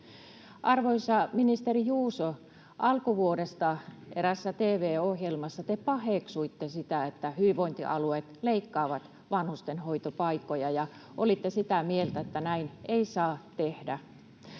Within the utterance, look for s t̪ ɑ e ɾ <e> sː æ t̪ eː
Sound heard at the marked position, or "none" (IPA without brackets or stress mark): æ